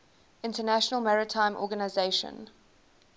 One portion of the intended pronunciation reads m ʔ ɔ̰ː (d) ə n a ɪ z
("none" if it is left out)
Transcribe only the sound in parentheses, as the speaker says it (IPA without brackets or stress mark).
ɡ